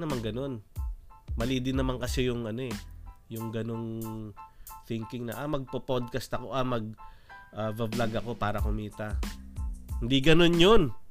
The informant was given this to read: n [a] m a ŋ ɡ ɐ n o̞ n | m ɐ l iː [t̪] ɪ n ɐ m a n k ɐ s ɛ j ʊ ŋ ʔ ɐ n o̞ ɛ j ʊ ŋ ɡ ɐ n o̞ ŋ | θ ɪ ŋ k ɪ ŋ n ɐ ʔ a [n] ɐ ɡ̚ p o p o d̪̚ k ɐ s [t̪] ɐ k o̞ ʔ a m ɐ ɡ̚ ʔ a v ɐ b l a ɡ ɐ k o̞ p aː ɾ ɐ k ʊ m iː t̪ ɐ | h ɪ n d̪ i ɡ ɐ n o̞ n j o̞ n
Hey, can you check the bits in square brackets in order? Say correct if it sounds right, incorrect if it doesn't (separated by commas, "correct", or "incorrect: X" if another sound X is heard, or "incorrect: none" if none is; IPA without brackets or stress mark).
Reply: incorrect: ɐ, incorrect: d̪, incorrect: m, correct